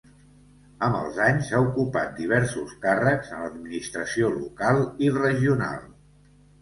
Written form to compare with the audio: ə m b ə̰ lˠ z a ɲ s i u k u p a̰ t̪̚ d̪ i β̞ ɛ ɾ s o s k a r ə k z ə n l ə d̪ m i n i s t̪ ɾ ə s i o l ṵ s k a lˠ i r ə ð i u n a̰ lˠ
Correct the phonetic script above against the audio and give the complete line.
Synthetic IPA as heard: ə m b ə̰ lˠ z a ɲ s a u k u p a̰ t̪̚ d̪ i β̞ ɛ ɾ s u s k a r ə k z ə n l ə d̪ m i n i s t̪ ɾ ə s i o l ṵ k a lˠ i r ə ʒ i u n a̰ lˠ